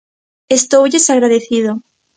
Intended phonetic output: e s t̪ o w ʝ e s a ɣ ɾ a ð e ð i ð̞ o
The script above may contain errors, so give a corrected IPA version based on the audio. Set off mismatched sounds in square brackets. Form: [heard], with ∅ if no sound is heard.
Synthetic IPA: e s t̪ o w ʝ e s a ɣ ɾ a ð e [θ] i ð̞ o